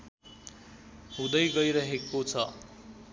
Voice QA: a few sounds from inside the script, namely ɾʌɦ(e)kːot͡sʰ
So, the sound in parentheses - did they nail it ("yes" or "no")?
yes